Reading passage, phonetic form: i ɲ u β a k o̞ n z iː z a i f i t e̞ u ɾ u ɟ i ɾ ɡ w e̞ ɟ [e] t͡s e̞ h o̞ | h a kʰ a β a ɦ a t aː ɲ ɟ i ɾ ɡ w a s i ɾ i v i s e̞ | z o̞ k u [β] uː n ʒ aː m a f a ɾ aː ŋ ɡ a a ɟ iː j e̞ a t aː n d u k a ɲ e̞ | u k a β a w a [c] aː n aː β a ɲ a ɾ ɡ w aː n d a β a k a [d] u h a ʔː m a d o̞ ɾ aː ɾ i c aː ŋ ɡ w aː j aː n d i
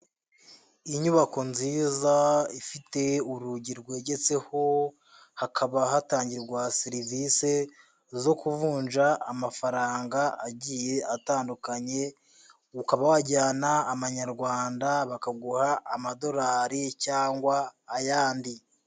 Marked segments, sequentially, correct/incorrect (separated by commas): correct, incorrect, incorrect, incorrect